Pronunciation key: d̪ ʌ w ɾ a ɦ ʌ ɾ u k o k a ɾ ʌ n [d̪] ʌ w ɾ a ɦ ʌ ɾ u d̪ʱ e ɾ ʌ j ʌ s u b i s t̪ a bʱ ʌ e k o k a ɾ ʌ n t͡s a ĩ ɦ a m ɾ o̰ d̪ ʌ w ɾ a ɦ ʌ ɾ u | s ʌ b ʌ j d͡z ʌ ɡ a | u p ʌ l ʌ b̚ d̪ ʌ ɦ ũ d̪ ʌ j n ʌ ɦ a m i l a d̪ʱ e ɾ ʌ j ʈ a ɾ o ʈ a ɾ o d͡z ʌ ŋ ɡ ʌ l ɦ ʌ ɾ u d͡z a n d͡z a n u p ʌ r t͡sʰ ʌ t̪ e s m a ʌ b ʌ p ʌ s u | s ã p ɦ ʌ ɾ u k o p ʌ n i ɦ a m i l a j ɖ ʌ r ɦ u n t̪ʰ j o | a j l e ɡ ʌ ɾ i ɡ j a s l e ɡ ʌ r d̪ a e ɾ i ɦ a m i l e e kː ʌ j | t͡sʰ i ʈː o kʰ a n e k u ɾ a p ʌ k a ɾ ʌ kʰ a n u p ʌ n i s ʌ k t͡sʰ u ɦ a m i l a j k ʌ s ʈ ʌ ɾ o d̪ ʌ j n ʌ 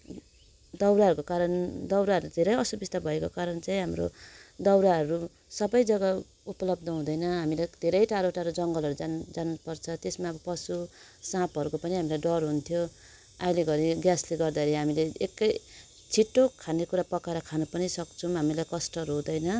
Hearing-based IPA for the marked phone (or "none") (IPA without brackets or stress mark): d̪